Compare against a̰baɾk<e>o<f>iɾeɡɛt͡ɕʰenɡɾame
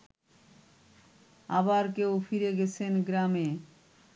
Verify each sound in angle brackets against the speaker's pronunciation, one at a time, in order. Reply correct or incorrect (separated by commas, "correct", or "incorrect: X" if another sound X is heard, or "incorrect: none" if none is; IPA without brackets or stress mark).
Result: correct, correct